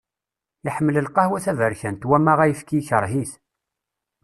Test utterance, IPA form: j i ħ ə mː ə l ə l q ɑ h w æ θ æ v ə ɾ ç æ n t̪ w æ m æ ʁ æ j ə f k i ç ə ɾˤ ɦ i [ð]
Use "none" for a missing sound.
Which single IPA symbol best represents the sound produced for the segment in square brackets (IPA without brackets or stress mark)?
θ